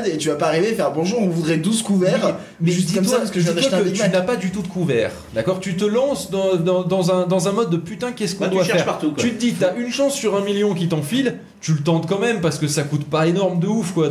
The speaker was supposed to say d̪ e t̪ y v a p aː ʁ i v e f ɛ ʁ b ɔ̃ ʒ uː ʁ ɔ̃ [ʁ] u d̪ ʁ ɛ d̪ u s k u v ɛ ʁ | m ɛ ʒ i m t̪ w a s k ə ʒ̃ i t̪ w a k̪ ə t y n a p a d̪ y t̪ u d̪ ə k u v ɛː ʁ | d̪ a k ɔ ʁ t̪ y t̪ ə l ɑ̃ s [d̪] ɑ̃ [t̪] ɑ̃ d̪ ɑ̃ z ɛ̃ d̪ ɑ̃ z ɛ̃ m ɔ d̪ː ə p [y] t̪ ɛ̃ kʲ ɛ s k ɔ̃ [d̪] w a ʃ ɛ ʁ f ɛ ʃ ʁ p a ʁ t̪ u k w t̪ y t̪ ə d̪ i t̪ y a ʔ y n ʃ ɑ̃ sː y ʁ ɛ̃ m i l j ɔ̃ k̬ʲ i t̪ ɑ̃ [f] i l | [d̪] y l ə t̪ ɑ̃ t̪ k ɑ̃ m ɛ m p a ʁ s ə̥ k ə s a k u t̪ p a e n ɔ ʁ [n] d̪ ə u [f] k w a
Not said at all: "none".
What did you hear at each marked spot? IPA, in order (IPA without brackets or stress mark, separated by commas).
v, d̪, d̪, y, d̪, f, t̪, m, f